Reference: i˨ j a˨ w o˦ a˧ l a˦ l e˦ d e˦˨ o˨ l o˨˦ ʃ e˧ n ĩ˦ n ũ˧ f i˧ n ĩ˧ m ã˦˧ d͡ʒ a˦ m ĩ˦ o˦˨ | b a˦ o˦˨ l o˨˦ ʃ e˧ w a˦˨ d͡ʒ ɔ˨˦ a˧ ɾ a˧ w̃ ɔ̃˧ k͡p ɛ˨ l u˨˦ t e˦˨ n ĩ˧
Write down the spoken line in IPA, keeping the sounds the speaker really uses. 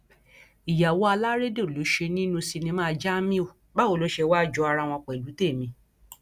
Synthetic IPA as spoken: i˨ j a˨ w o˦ a˧ l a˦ ɾ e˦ d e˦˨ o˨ l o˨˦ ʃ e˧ n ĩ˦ n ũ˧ s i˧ n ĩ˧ m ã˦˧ d͡ʒ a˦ m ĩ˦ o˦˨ | b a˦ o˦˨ l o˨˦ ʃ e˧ w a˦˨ d͡ʒ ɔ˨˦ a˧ ɾ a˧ w̃ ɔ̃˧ k͡p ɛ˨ l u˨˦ t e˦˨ m ĩ˧